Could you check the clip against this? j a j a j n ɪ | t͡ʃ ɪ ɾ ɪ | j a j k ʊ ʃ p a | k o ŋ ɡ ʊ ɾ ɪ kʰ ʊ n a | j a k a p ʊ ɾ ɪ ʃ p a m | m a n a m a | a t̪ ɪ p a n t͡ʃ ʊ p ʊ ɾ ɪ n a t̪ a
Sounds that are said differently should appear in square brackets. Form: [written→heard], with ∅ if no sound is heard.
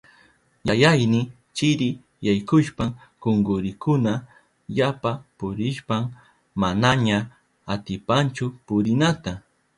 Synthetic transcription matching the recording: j a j a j n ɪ | t͡ʃ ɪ ɾ ɪ | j a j k ʊ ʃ p a | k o ŋ ɡ ʊ ɾ ɪ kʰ ʊ n a | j a [k→p] a p ʊ ɾ ɪ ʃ p a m | m a n a [m→ɲ] a | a t̪ ɪ p a n t͡ʃ ʊ p ʊ ɾ ɪ n a t̪ a